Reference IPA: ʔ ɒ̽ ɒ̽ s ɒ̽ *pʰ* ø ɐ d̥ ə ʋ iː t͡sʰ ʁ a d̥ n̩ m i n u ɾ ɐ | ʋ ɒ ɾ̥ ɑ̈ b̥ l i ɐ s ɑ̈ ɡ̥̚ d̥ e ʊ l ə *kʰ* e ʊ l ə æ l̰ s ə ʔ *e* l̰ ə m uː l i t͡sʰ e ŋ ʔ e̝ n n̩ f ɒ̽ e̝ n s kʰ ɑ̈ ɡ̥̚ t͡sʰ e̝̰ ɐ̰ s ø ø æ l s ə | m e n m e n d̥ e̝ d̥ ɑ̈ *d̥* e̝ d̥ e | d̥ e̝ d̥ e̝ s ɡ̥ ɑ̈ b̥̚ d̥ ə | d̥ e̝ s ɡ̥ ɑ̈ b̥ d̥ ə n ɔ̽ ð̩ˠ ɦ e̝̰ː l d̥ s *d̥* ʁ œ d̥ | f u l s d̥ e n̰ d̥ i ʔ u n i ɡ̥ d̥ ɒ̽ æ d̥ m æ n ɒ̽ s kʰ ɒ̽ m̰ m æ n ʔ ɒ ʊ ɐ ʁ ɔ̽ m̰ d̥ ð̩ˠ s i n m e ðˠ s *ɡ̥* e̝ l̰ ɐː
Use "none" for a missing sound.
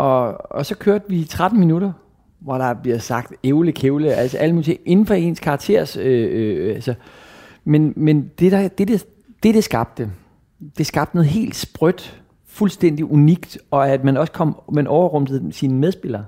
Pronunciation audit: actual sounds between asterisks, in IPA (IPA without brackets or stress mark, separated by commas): kʰ, kʰ, æ, d̥, b̥, b̥